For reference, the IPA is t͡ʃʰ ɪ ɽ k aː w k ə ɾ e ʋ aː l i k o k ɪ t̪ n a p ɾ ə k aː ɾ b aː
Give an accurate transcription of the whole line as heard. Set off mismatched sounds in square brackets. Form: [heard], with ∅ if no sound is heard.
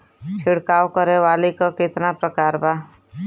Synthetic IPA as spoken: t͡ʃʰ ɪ ɽ k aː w k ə ɾ e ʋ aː l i k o k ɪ t̪ n a p ɾ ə k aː ɾ b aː